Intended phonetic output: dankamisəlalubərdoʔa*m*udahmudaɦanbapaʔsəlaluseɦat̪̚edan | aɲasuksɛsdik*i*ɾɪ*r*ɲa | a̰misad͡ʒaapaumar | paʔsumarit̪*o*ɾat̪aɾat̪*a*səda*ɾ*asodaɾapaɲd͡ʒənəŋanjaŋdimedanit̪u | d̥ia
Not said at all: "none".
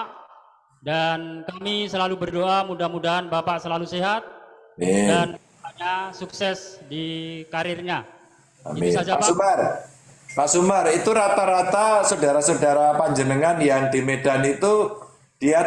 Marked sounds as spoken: m, a, r, u, a, ɾ

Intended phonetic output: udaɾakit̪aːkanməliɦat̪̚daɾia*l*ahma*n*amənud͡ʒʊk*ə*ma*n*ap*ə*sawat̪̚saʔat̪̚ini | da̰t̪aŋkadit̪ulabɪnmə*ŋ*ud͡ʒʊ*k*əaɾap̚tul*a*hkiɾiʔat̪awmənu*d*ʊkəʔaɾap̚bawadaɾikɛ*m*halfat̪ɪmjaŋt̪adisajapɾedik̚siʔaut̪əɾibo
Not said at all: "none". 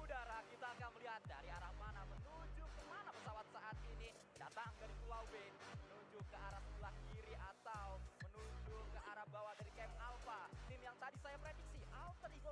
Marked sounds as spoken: ɾ, n, ə, n, ə, n, k, a, d͡ʒ, m

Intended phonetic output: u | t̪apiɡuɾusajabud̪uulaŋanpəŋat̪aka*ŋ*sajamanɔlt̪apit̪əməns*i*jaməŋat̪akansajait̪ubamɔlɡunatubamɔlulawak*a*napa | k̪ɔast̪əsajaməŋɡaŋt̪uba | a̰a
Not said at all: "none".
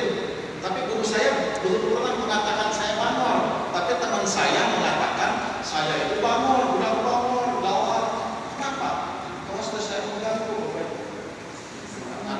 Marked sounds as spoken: n, a, ə

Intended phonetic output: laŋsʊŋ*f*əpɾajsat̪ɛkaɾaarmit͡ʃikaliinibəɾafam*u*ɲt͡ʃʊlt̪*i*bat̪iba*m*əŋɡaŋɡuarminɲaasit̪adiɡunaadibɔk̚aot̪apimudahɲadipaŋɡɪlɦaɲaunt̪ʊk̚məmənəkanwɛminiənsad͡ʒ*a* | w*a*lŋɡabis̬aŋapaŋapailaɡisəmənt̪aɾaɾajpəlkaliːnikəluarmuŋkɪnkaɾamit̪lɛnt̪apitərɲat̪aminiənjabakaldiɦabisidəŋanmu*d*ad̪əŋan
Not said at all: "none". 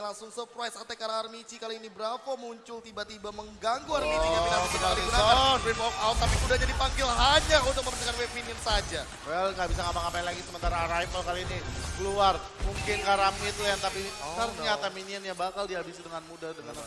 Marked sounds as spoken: s, u, i, m, a, ɛ, d

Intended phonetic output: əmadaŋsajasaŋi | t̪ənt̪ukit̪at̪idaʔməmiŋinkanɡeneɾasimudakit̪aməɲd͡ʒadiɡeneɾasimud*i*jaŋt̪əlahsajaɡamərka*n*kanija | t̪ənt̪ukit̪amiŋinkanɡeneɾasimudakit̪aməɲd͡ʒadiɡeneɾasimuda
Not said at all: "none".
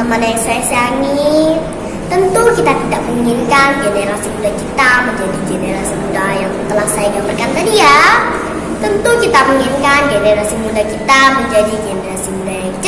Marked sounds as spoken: a, n

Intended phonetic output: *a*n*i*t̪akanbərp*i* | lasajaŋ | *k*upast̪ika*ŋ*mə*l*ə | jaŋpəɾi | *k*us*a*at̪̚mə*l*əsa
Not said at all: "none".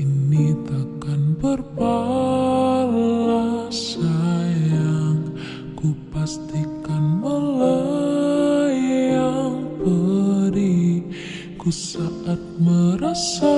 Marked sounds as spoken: i, i, a, k, n, l, k, a, ɾ

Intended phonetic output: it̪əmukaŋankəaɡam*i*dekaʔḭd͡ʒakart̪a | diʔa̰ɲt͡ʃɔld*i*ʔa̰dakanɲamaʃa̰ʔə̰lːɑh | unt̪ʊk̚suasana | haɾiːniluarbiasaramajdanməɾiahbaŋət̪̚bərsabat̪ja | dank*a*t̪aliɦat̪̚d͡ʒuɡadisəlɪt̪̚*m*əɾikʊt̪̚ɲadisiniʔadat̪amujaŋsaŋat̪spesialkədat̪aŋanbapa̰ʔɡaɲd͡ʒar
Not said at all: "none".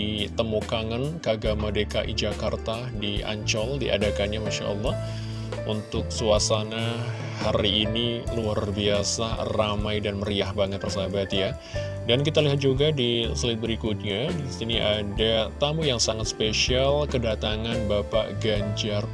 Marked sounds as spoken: a, i, i, b

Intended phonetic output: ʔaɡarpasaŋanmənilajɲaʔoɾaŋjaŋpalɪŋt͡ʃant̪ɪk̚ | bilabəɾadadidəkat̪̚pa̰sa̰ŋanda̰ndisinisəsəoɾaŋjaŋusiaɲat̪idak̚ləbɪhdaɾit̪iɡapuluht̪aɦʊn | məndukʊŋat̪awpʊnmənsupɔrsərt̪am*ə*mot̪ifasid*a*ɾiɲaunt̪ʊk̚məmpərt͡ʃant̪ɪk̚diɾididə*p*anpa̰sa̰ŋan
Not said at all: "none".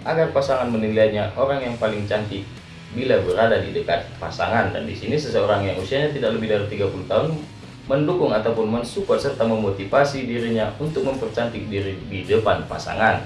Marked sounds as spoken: ə, i, p

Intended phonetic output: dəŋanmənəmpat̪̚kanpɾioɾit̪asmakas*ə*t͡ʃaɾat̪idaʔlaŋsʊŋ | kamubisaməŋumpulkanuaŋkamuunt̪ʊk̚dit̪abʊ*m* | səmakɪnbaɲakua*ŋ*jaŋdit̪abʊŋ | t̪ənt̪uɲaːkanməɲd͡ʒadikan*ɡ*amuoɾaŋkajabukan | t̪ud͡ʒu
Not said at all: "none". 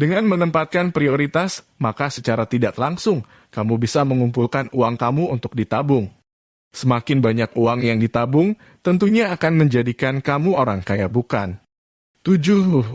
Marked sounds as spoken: ə, ŋ, ŋ, k

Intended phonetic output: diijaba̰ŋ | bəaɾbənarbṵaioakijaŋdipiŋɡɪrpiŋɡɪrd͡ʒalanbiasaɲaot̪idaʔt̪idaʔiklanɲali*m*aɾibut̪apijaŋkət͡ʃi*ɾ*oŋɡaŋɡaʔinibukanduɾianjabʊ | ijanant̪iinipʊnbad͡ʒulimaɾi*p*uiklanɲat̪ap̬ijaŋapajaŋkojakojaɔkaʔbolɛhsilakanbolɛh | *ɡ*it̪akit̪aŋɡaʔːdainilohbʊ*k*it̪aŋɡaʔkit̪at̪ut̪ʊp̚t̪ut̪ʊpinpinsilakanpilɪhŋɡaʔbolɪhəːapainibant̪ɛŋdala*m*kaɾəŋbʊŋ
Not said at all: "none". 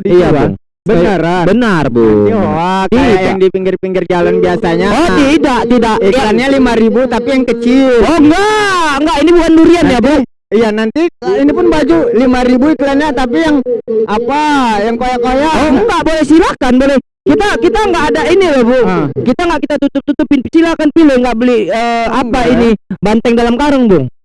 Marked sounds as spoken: m, l, b, k, k, m

